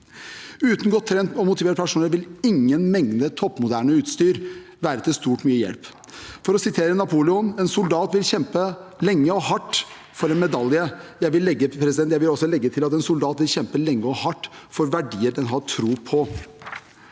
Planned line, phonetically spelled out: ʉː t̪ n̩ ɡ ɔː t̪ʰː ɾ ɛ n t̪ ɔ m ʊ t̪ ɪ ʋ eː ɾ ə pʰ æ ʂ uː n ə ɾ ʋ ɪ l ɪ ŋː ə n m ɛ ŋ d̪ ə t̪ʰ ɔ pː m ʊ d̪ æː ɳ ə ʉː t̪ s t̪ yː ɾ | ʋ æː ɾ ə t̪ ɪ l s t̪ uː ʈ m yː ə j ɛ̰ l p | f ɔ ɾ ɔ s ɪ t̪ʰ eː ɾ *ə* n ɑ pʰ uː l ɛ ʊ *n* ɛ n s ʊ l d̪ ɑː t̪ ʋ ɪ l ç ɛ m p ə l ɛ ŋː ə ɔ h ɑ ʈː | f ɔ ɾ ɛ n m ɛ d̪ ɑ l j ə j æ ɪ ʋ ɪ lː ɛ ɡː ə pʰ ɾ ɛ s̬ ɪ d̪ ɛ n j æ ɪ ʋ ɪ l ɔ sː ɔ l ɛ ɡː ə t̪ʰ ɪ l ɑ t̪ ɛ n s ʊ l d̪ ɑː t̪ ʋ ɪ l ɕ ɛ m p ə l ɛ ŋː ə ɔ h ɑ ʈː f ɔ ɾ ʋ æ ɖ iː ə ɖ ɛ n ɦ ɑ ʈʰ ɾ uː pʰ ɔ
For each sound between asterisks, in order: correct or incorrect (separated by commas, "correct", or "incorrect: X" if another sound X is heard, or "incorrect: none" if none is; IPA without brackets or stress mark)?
correct, correct